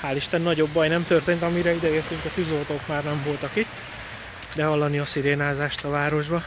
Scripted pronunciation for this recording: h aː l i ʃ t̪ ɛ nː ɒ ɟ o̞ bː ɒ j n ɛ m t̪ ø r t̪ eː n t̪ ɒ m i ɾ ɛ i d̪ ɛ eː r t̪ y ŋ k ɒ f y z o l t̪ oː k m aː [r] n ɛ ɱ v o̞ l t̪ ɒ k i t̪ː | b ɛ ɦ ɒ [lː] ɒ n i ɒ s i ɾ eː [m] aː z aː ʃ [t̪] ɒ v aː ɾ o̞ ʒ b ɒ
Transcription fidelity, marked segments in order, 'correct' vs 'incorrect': correct, correct, incorrect: n, correct

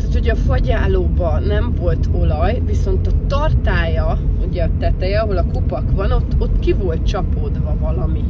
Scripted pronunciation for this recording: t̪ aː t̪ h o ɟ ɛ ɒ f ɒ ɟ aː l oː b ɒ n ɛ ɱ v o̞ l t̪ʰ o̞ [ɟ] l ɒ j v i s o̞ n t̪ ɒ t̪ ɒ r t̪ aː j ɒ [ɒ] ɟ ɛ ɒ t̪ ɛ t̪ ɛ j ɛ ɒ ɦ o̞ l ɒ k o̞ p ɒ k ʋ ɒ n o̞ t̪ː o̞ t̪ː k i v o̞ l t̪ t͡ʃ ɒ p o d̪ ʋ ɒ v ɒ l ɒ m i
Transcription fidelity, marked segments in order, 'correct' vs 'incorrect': incorrect: none, incorrect: u

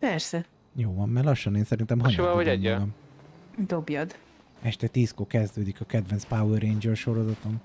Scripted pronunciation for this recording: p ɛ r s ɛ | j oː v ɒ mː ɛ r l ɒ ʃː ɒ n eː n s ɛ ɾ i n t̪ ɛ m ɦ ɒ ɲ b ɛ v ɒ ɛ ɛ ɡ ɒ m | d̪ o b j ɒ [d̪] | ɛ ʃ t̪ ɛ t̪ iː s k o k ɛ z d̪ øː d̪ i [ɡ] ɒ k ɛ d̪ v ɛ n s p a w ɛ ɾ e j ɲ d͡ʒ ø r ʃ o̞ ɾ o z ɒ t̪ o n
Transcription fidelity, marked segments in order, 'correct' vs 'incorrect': correct, incorrect: k

